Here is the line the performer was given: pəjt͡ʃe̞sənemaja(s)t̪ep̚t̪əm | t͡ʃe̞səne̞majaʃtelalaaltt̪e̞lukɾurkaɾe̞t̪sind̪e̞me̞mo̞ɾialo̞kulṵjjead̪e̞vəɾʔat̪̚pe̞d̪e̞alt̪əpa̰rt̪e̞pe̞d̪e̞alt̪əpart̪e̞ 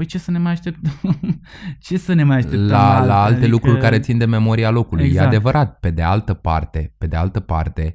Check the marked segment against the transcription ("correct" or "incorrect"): incorrect